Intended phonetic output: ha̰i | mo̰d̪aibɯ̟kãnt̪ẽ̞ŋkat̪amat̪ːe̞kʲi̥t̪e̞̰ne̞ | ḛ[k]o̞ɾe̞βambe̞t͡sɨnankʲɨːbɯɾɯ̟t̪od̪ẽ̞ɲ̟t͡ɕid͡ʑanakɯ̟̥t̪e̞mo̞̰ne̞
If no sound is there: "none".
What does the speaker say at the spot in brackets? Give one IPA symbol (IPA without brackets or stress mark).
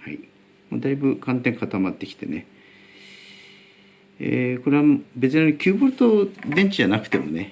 k